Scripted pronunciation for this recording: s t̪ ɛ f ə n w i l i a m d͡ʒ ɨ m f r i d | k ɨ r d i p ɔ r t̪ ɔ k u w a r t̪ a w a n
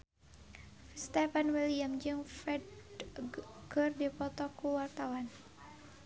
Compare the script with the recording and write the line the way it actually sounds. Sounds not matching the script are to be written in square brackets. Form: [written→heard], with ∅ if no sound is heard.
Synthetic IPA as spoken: s t̪ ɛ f [ə→a] n w i l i a m d͡ʒ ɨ [m→ŋ] f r [i→ɛ] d | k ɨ r d i p ɔ [r→∅] t̪ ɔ k u w a r t̪ a w a n

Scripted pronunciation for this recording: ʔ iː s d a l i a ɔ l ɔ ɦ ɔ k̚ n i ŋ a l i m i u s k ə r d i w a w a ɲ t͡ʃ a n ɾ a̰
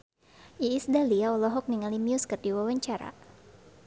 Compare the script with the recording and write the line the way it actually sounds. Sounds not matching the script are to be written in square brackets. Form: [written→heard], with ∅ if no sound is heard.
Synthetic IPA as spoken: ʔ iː s d a l i a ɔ l ɔ ɦ ɔ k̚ n i ŋ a l i m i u s k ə r d i w a w a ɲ t͡ʃ a [n→∅] ɾ a̰

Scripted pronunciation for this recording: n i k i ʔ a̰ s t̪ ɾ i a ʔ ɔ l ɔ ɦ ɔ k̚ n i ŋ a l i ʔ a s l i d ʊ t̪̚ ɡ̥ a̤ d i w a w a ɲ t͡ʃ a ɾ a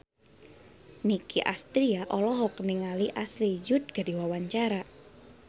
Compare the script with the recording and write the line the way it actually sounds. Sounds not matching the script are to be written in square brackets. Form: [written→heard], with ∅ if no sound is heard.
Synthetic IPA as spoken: n i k i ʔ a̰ s t̪ ɾ i a ʔ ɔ l ɔ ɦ ɔ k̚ n i ŋ a l i ʔ a s l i [d→d͡ʒ] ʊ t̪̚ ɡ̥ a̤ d i w a w a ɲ t͡ʃ a ɾ a

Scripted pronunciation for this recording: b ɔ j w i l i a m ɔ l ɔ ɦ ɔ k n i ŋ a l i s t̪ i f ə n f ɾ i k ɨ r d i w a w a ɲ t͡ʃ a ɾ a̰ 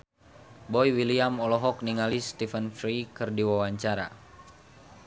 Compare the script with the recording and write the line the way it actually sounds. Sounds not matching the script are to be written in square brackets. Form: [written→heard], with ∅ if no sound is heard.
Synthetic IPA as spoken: b ɔ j w i l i a m ɔ l ɔ ɦ ɔ k n i ŋ a l i s t̪ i f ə n f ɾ i k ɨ r d i w a w a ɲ t͡ʃ a ɾ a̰

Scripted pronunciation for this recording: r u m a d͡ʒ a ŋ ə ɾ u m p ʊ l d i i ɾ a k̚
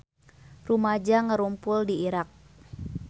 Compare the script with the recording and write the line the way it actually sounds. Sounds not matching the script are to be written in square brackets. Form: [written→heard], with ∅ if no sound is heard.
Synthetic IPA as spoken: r u m a d͡ʒ a ŋ ə ɾ u m p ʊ l d i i ɾ a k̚

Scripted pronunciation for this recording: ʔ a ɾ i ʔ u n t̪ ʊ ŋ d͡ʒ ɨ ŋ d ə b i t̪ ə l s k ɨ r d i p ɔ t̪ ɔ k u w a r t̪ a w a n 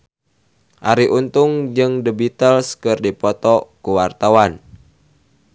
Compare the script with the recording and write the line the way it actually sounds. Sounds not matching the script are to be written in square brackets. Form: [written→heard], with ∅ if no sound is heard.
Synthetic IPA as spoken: ʔ a ɾ i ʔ u n t̪ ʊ ŋ d͡ʒ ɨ ŋ d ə b i t̪ ə l s k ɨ r d i p ɔ t̪ ɔ k u w a r t̪ a w a n

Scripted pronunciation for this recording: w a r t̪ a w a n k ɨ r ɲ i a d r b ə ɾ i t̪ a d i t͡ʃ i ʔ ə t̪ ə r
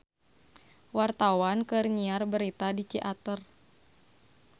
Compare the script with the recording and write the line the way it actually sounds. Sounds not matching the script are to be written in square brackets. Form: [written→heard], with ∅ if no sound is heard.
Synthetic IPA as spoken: w a r t̪ a w a n k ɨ r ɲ i a [d→∅] r b ə ɾ i t̪ a d i t͡ʃ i ʔ [ə→a] t̪ ə r

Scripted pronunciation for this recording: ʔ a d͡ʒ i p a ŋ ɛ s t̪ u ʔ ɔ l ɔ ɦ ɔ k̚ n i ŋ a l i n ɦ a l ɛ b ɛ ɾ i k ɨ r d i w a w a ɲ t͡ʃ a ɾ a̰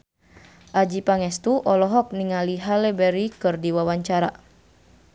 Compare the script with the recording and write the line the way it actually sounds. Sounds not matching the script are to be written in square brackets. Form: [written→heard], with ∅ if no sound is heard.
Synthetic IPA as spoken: ʔ a d͡ʒ i p a ŋ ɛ s t̪ u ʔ ɔ l ɔ ɦ ɔ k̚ n i ŋ a l i [n→∅] ɦ a l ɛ b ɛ ɾ i k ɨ r d i w a w a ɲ t͡ʃ a ɾ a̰

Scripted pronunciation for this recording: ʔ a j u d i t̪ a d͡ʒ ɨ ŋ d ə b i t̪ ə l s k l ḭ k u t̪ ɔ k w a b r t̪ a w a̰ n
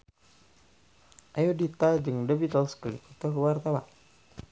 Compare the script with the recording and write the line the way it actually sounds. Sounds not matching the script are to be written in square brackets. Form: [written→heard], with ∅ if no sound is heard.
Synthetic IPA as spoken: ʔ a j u d i t̪ a d͡ʒ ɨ ŋ d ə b i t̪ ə l s k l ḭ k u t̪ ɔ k w a [b→∅] r t̪ a w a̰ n

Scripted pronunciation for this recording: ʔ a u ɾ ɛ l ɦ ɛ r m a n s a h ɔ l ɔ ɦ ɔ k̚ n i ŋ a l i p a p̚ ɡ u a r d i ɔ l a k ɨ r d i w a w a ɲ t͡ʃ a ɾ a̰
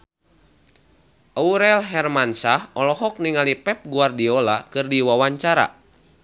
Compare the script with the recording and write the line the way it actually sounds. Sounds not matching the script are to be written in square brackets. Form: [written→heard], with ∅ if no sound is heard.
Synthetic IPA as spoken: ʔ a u ɾ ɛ l ɦ ɛ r m a n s a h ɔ l ɔ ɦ ɔ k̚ n i ŋ a l i p [a→ɛ] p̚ ɡ u a r d i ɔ l a k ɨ r d i w a w a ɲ t͡ʃ a ɾ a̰

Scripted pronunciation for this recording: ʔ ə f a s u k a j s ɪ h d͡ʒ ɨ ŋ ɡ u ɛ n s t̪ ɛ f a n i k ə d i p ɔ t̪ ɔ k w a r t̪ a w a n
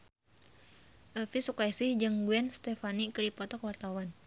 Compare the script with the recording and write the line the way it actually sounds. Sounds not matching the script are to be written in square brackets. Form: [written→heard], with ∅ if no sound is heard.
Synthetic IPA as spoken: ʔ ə f [a→i] s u k a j s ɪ h d͡ʒ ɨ ŋ ɡ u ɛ n s t̪ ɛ f a n i k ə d i p ɔ t̪ ɔ k w a r t̪ a w a n

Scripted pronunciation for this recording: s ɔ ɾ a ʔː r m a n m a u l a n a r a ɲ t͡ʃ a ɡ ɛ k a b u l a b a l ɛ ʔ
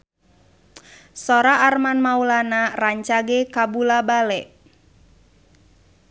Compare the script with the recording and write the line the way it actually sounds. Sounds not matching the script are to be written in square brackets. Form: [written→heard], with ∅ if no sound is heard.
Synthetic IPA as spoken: s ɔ ɾ a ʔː r m a n m a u l a n a r a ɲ t͡ʃ a ɡ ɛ k a b u l a b a l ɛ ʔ

